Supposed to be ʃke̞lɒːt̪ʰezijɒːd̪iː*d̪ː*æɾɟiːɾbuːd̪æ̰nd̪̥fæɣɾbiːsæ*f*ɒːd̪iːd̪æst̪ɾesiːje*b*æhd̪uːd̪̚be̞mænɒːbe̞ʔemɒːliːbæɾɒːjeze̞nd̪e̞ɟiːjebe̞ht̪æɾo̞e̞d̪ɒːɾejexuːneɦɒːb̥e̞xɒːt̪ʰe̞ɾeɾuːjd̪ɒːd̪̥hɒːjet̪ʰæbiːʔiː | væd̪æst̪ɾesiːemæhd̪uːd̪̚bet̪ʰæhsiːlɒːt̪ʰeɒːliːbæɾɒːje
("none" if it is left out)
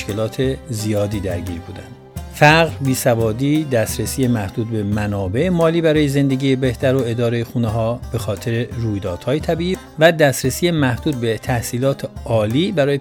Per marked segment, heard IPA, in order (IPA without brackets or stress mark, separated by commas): d̪, v, m